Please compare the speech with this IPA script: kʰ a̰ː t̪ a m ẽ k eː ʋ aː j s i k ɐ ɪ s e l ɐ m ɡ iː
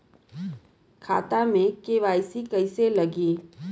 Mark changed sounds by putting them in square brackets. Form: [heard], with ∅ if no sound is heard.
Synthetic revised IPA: kʰ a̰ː t̪ a m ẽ k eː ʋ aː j s i k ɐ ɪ s e l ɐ [∅] ɡ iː